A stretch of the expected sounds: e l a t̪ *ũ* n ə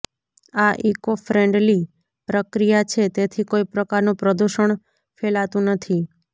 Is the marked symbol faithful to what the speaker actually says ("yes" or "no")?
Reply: yes